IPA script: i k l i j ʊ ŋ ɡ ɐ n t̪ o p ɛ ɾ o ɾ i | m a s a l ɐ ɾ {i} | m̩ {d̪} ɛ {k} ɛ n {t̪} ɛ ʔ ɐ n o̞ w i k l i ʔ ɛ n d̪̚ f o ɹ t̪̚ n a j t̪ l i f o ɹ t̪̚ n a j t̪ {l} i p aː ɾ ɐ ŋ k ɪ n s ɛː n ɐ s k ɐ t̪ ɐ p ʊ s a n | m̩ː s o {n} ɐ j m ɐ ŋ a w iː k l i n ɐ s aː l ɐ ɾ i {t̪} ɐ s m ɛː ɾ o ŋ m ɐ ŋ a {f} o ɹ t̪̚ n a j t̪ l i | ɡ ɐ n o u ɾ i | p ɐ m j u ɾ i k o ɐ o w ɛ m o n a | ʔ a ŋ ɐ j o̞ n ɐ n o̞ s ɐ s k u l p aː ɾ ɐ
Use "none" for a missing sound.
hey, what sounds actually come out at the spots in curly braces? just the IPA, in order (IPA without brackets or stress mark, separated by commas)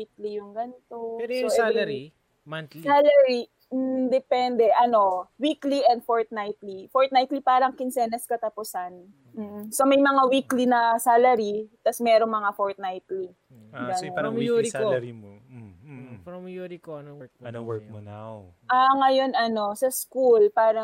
i, d̪, p, d̪, l, m, t̪, f